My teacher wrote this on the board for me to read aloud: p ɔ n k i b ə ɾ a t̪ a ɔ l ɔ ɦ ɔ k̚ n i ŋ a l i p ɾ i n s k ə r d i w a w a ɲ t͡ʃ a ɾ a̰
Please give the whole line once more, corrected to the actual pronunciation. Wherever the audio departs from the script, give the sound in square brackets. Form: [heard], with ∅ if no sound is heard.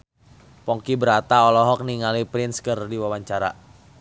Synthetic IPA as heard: p ɔ [ŋ] k i b ə ɾ a t̪ a ɔ l ɔ ɦ ɔ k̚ n i ŋ a l i p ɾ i n s k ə r d i w a w a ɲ t͡ʃ a ɾ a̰